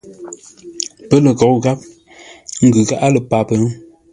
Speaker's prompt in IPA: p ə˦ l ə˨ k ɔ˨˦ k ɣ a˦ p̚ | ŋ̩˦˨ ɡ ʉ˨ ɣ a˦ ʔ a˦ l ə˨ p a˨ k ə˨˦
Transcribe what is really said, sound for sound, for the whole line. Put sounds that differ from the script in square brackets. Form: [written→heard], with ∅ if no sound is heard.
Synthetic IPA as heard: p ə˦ l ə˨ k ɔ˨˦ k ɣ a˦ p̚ | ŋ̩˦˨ ɡ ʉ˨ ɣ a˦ ʔ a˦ l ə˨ p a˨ [k→p] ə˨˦